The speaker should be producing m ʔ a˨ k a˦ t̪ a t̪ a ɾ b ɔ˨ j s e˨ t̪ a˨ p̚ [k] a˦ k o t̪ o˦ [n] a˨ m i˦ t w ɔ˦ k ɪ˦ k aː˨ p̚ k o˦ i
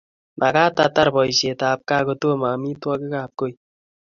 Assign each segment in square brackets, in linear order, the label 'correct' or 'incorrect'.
correct, incorrect

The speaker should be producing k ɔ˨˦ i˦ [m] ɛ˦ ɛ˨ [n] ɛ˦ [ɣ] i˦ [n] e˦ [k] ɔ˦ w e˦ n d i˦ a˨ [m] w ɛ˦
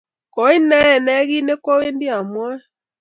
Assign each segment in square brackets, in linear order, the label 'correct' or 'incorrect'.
incorrect, correct, correct, correct, correct, correct

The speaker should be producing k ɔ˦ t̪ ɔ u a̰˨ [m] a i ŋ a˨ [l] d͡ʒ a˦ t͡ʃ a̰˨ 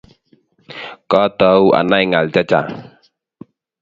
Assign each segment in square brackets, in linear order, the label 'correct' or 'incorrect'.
incorrect, correct

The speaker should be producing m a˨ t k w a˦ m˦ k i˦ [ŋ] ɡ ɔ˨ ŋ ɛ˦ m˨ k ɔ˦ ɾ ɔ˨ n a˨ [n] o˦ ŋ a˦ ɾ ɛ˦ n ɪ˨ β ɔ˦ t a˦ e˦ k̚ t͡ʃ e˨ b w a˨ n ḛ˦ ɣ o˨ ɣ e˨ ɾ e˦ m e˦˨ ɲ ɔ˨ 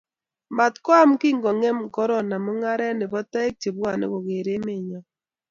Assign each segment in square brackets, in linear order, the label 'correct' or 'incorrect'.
correct, incorrect

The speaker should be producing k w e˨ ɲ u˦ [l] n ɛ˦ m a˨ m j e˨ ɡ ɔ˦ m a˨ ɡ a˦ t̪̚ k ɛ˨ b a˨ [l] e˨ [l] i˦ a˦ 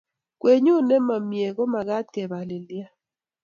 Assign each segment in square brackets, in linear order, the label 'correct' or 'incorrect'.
incorrect, correct, correct

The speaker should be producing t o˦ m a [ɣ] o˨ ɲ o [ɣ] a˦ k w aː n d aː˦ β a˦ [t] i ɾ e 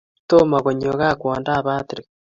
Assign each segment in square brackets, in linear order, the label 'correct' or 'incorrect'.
correct, correct, correct

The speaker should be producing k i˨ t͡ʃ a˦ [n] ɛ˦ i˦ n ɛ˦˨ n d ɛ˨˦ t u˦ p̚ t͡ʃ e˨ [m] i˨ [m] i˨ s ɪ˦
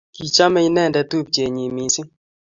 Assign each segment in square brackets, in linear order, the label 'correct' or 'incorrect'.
incorrect, incorrect, correct

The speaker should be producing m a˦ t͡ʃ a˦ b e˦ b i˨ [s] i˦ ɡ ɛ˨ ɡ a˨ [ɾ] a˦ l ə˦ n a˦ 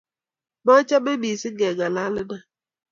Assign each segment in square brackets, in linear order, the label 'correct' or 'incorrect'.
correct, incorrect

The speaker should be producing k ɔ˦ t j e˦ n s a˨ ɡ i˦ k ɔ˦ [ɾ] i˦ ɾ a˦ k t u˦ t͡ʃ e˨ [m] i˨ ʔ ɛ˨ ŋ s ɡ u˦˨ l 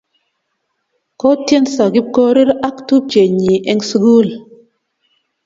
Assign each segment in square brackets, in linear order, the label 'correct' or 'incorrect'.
correct, incorrect

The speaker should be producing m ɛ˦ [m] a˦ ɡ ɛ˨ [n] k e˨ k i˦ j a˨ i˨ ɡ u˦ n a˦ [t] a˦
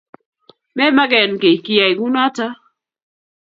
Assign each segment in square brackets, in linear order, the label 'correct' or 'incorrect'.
correct, correct, correct

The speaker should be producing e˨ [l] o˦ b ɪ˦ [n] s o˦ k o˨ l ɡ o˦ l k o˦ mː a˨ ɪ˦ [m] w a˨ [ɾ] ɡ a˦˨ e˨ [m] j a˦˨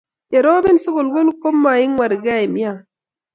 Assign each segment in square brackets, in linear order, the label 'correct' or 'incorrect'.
incorrect, correct, incorrect, correct, correct

